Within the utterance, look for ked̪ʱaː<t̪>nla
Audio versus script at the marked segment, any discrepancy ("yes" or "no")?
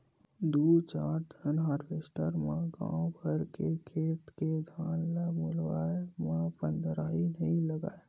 yes